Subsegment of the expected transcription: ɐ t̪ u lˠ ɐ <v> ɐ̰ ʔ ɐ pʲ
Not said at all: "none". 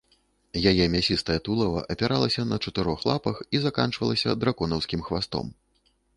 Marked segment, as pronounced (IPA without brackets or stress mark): v